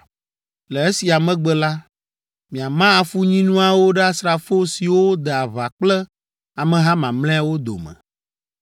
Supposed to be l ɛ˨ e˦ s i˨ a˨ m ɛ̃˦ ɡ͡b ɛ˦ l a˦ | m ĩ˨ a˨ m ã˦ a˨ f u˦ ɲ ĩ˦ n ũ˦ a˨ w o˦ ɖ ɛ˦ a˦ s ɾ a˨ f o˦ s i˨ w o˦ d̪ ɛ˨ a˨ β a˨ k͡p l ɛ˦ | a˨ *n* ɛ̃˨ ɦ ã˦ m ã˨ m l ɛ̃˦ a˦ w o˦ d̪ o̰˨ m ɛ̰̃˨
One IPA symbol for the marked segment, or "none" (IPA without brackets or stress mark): m